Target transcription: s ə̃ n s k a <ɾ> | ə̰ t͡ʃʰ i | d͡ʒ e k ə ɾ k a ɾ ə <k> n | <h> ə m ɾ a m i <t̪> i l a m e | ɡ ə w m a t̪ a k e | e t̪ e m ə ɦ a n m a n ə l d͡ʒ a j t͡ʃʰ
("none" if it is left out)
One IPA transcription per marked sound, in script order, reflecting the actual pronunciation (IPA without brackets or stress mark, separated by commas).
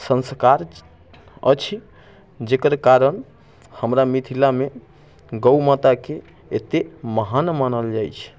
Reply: ɾ, none, h, t̪ʰ